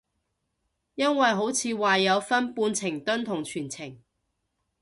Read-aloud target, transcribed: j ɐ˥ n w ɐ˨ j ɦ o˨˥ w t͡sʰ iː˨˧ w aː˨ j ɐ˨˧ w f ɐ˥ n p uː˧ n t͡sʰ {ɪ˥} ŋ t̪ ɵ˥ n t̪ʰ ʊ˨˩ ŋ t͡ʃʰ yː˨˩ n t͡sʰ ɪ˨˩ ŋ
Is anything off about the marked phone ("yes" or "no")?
yes